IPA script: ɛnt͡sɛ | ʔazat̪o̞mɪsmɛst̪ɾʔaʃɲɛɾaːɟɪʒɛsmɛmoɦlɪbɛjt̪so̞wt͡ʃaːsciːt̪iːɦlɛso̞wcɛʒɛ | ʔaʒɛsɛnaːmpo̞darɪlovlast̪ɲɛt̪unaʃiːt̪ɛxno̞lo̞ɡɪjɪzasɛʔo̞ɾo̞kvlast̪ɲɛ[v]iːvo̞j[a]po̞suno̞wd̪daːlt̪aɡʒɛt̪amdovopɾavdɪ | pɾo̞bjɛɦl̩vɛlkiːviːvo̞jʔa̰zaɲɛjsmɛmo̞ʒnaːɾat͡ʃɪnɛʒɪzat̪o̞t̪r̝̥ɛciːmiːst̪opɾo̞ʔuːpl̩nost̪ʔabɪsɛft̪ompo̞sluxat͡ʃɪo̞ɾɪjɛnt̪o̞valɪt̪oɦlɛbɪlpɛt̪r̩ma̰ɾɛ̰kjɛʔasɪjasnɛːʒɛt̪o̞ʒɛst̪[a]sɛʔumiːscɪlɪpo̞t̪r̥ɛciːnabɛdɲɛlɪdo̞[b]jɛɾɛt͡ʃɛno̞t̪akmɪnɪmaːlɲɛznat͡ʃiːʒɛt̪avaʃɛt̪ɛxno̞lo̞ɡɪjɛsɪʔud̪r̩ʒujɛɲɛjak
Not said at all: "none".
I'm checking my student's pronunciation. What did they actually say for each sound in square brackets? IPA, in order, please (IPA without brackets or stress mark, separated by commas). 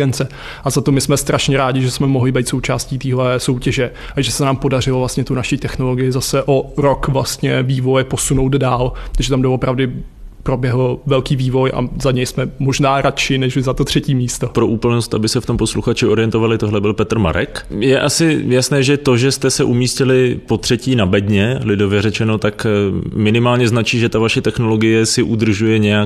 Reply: v, ɛ, ɛ, v